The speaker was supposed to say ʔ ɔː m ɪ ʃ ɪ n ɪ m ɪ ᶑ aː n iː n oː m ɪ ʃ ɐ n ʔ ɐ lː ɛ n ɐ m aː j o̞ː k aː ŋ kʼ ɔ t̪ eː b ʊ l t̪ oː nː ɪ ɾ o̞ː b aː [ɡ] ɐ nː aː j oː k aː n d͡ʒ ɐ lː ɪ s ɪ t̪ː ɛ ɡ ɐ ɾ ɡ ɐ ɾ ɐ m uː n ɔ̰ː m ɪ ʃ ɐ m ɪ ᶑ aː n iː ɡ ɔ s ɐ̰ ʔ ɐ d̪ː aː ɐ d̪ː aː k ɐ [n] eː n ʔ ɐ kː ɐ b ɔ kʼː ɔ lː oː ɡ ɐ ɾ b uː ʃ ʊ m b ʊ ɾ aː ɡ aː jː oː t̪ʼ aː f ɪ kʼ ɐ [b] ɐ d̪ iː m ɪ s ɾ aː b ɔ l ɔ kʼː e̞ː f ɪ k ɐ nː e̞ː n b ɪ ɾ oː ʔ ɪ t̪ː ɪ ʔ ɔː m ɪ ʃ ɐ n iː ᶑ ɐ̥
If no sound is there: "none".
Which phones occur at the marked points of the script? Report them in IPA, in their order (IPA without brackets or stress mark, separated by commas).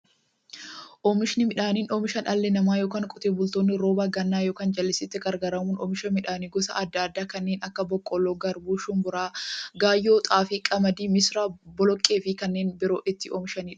ɡ, nː, m